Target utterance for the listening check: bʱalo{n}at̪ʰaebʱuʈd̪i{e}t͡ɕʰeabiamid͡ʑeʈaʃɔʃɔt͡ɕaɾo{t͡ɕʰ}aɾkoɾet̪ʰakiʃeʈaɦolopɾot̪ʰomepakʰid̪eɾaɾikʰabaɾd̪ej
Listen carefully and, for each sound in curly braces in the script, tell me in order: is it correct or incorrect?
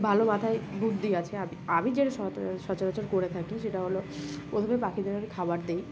incorrect: m, incorrect: a, incorrect: t͡ɕ

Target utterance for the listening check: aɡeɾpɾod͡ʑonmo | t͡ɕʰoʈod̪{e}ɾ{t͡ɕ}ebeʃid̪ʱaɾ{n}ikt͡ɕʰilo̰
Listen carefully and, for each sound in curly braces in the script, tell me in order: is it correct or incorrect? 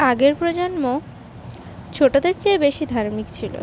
correct, correct, incorrect: m

